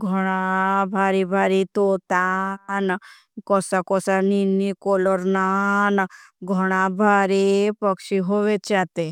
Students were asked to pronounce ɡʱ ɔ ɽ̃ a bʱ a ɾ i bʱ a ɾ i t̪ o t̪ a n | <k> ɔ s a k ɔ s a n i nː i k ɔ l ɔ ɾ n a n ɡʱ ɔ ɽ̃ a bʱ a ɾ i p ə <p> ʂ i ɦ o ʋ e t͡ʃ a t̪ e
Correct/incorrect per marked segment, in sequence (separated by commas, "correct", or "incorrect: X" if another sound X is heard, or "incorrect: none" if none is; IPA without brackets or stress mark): correct, incorrect: k